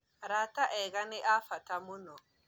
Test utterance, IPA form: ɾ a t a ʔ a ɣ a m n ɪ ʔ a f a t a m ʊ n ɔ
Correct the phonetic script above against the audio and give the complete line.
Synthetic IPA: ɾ a t a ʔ ɛ ɣ a n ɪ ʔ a f a t a m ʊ n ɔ